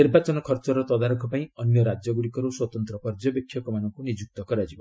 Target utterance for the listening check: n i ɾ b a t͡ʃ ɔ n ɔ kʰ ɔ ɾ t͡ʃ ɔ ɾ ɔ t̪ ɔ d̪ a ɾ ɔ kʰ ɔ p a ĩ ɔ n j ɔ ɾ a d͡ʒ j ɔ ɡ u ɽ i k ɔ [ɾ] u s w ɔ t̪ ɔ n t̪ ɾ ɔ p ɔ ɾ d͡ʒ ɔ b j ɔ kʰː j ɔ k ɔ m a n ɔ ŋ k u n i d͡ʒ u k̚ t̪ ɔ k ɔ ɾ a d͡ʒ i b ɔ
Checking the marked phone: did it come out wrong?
no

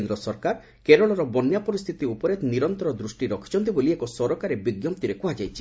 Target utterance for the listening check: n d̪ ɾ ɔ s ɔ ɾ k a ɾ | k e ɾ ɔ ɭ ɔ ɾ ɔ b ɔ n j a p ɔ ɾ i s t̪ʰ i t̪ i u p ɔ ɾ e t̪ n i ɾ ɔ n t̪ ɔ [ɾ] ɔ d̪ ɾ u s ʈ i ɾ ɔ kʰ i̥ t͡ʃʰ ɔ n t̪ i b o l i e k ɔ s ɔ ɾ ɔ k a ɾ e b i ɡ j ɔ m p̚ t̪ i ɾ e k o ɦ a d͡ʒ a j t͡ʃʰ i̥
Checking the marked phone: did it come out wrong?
no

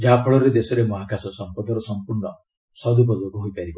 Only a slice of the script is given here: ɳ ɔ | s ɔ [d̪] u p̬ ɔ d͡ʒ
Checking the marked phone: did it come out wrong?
no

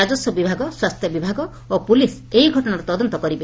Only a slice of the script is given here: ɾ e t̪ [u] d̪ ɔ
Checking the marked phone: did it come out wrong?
yes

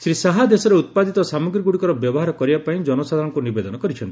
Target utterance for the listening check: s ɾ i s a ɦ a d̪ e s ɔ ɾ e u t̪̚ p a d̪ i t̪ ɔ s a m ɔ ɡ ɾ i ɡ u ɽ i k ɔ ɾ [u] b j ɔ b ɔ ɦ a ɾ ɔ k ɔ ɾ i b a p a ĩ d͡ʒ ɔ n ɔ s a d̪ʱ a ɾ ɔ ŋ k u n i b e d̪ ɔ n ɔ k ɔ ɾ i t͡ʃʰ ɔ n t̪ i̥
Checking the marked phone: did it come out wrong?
yes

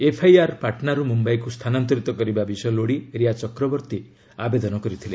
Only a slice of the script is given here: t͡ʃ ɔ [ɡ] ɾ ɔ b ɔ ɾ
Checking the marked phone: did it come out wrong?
yes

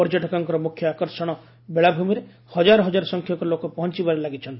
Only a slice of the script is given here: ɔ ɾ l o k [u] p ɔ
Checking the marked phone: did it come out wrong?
yes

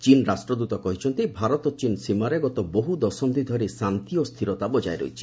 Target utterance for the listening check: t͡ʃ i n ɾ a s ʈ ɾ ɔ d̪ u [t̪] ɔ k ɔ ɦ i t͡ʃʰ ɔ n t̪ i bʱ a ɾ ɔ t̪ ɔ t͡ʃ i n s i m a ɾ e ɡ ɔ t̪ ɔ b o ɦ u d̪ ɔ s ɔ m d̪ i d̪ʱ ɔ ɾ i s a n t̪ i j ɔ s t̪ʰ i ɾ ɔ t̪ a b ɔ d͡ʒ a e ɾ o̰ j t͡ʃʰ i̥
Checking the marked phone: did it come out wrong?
no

